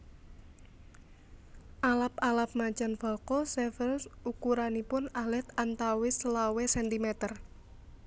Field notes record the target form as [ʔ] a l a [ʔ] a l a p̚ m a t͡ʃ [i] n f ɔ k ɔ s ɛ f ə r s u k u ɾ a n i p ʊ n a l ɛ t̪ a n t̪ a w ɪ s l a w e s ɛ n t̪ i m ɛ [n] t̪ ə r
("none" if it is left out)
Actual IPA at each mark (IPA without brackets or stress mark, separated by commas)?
ʔ, p, a, none